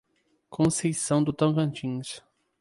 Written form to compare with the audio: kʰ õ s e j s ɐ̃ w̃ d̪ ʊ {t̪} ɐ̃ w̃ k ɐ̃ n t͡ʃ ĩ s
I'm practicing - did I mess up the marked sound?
no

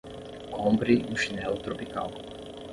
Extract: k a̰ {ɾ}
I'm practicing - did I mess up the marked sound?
yes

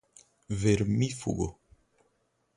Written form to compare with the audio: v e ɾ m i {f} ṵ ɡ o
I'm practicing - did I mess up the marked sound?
no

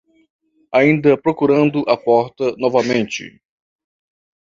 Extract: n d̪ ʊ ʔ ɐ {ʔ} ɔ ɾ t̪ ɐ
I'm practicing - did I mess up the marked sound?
yes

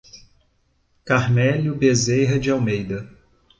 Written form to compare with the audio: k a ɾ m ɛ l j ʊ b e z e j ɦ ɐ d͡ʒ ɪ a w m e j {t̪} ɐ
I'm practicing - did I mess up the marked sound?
yes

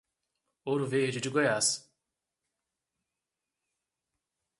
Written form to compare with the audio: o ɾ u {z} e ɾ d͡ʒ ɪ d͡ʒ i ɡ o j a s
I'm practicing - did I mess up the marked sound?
yes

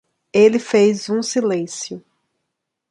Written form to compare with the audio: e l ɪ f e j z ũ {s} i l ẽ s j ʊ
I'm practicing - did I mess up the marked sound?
no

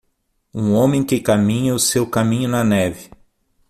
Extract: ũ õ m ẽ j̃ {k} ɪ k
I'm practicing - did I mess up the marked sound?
no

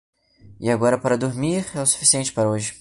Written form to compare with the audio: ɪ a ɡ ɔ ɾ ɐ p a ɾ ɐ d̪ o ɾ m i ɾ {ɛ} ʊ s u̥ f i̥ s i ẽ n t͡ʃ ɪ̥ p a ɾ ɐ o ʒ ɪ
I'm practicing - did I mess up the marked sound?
no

